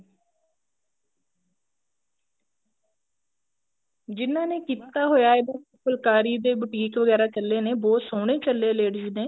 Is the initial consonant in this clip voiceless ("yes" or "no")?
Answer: no